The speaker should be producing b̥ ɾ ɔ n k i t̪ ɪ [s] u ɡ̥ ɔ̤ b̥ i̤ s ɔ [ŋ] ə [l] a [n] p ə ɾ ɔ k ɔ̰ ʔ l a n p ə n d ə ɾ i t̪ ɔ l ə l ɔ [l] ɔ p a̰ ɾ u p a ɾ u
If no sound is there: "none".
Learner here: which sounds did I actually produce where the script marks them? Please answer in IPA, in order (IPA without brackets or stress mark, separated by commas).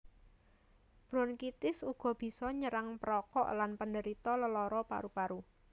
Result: s, ɲ, ɾ, ŋ, ɾ